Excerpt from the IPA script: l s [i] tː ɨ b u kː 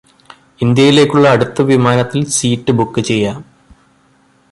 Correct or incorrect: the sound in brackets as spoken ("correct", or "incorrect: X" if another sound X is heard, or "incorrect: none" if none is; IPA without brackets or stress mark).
incorrect: iː